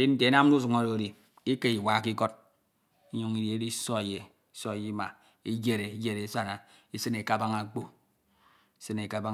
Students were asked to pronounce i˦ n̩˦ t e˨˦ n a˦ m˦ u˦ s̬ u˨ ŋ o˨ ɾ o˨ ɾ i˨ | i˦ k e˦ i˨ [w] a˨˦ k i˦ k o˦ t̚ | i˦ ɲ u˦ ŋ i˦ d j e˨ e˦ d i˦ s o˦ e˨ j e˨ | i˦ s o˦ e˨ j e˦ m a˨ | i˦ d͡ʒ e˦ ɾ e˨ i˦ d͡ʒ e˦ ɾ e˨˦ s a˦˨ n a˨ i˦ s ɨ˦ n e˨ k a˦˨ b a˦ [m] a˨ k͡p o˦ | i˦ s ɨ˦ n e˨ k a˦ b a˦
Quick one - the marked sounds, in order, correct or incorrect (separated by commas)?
correct, incorrect